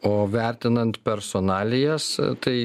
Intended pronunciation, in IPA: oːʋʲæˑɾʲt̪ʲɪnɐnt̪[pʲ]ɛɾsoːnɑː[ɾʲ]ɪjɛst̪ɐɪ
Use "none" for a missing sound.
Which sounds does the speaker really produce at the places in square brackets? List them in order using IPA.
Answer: pʲ, lʲ

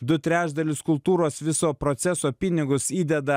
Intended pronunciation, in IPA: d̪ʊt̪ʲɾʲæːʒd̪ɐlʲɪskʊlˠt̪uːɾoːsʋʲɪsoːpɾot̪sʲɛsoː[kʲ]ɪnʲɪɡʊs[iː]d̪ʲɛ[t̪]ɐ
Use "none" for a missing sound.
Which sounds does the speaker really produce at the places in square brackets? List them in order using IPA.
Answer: pʲ, iː, d̪

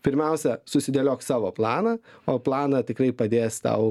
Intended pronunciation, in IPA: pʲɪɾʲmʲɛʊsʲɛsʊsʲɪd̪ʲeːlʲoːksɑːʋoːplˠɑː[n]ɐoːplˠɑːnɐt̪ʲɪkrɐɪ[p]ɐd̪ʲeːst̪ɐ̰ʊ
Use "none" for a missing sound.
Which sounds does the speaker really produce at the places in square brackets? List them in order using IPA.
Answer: n, p

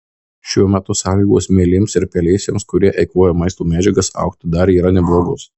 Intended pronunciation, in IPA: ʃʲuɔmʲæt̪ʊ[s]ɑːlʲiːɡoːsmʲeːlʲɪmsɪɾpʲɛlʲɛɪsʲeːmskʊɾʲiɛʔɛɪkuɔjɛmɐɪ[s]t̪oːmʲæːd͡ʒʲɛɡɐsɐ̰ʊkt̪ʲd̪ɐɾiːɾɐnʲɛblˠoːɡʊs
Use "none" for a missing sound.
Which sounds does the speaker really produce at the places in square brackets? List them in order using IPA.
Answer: s, s

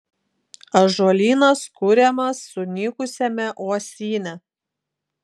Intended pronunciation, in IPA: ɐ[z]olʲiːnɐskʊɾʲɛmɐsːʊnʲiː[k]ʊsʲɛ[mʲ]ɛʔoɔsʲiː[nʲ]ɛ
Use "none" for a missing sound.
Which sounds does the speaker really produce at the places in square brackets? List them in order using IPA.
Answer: ʒ, k, mʲ, nʲ

